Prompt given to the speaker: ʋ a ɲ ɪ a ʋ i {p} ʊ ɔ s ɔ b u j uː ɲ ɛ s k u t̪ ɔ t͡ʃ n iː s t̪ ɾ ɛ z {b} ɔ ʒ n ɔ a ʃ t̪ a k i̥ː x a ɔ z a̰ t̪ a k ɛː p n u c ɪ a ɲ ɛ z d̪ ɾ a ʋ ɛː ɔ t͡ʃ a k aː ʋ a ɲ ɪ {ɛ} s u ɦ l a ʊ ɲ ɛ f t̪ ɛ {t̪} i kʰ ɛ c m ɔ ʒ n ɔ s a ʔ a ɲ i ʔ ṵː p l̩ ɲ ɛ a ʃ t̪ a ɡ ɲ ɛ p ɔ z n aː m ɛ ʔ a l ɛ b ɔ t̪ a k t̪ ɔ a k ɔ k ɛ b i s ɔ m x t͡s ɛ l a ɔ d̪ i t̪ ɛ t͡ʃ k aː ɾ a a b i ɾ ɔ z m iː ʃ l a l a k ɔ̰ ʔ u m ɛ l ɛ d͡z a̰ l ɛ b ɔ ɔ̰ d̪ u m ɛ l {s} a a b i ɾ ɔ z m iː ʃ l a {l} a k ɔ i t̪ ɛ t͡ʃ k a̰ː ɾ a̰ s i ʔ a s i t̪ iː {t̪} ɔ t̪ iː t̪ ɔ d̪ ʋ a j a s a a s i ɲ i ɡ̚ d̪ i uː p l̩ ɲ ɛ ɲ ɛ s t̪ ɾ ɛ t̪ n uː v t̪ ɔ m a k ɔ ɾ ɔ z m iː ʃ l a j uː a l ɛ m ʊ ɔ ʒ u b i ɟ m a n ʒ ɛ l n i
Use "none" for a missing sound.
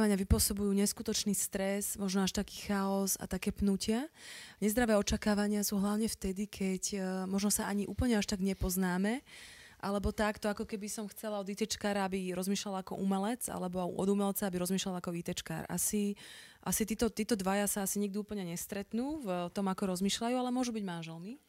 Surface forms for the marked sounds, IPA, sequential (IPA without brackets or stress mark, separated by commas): p, m, a, d̪, t͡s, l, t̪